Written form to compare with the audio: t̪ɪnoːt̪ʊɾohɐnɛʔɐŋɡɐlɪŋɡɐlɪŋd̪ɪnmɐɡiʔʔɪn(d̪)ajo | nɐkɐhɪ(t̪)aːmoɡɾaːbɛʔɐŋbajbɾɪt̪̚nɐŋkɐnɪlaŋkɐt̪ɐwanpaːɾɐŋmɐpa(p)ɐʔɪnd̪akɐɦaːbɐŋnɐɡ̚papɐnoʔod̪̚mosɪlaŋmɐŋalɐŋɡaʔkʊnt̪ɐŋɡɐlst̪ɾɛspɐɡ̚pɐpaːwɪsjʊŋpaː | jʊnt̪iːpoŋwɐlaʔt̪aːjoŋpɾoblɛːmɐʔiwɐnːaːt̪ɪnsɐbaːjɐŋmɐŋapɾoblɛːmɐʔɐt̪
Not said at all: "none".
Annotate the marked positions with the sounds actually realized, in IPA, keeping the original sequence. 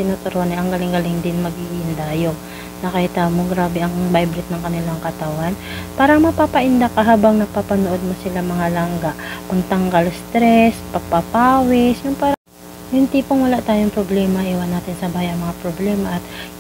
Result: d̪, t̪, p

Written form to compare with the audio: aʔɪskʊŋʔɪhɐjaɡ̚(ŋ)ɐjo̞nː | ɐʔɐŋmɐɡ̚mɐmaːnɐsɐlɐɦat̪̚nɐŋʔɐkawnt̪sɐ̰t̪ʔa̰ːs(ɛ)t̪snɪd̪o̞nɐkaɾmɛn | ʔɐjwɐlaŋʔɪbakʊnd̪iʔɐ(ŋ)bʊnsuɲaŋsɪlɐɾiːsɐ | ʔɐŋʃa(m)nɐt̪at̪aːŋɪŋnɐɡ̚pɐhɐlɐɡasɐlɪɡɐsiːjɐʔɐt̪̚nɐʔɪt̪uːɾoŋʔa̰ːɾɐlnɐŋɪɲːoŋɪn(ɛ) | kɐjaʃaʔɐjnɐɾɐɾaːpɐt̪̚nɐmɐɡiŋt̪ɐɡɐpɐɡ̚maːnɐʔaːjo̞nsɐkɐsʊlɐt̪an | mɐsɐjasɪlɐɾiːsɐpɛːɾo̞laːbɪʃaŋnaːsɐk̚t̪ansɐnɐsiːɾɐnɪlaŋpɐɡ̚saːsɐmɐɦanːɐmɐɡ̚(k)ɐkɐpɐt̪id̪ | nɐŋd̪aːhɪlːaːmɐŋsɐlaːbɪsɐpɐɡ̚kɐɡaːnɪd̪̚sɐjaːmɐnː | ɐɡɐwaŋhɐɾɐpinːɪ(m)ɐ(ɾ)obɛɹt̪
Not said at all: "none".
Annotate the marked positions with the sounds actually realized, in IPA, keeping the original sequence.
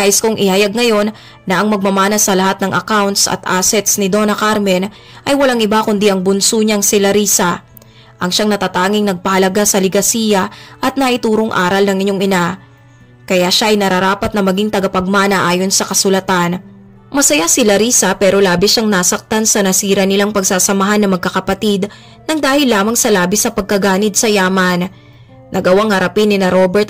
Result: ŋ, ɛ, ŋ, ŋ, a, k, n, ɾ

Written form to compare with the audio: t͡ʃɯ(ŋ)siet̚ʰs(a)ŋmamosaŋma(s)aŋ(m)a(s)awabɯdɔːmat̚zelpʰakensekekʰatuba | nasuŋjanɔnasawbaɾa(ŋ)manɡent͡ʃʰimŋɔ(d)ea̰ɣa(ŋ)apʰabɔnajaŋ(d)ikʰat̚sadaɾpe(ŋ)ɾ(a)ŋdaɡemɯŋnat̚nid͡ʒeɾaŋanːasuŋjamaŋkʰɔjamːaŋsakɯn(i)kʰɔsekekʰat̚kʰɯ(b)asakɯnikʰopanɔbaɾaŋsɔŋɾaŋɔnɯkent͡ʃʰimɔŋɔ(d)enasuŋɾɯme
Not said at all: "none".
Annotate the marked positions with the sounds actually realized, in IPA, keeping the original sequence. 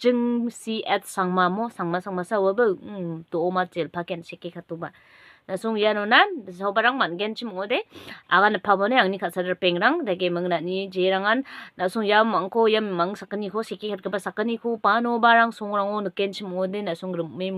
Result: ŋ, a, s, m, s, ŋ, d, n, n, ŋ, a, i, b, d

